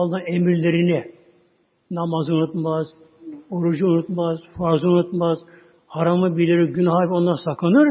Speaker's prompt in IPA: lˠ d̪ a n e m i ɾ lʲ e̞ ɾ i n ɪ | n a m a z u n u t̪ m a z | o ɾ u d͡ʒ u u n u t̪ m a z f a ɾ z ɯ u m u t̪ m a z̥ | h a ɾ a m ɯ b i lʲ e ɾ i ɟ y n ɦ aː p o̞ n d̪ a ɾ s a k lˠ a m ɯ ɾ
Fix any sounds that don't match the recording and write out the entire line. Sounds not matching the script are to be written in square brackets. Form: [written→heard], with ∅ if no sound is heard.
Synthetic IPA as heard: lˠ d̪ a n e m i ɾ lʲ e̞ ɾ i n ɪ | n a m a z u n u t̪ m a z | o ɾ u d͡ʒ u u n u t̪ m a z f a ɾ z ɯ u [m→n] u t̪ m a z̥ | h a ɾ a m ɯ b i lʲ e ɾ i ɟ y n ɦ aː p o̞ n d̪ a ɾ s a k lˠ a [m→n] ɯ ɾ